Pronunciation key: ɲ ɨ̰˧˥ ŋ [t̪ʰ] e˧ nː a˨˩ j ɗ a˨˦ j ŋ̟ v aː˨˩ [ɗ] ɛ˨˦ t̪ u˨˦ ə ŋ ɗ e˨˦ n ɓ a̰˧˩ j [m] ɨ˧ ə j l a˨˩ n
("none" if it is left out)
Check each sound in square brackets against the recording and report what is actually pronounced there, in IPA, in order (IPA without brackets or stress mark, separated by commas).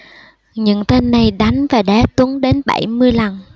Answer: t̪, ɗ, m